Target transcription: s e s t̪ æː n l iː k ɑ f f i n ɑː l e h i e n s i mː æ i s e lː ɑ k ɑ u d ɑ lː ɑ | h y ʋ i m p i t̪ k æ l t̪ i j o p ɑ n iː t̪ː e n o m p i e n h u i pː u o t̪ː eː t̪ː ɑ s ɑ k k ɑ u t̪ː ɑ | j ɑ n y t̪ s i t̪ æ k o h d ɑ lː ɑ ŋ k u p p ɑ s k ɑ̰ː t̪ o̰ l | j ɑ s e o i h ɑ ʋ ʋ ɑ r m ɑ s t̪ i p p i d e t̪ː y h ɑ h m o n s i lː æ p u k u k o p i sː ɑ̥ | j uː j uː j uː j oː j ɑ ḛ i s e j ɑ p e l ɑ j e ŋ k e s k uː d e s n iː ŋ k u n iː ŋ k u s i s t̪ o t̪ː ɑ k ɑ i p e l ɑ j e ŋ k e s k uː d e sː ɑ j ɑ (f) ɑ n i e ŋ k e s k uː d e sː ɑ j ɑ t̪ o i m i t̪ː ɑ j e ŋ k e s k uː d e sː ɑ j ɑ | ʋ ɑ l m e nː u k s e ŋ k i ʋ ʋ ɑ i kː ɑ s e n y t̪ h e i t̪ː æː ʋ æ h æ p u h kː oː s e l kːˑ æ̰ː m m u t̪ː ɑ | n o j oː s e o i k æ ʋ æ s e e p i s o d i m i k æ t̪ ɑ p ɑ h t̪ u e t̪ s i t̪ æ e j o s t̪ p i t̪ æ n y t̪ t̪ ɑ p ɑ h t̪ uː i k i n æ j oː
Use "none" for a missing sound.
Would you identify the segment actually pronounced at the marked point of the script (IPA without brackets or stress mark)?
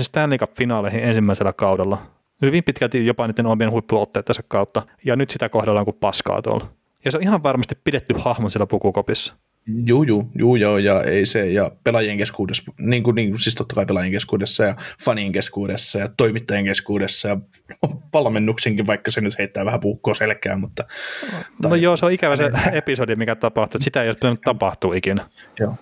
f